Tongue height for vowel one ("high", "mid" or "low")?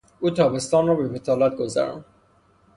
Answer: high